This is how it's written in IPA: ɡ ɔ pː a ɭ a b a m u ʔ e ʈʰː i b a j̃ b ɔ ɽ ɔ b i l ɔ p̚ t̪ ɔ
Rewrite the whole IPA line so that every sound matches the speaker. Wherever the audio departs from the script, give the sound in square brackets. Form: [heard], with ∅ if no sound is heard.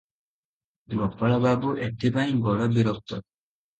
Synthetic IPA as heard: ɡ ɔ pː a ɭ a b a [b] u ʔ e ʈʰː i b a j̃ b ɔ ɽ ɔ b i [ɾ] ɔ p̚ t̪ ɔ